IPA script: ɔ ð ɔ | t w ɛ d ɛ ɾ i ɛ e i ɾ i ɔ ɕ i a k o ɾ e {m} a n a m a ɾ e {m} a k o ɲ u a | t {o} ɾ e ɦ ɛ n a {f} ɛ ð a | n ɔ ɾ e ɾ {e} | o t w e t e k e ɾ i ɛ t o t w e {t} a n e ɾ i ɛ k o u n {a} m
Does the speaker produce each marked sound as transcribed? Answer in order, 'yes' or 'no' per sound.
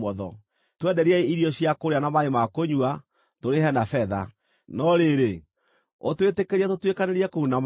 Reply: no, yes, yes, yes, yes, no, yes

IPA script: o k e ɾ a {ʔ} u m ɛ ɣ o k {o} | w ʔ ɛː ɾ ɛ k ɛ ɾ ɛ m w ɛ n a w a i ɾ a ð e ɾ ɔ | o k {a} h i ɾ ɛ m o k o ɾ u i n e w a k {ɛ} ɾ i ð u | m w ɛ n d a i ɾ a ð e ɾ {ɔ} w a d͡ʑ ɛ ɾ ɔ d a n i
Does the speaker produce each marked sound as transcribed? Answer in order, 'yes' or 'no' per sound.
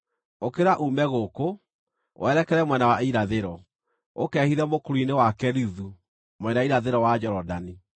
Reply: yes, yes, no, yes, yes

